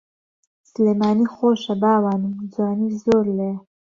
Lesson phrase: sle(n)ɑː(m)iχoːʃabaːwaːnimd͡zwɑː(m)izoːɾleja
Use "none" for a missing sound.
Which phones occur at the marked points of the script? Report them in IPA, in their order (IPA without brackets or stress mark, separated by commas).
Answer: m, n, n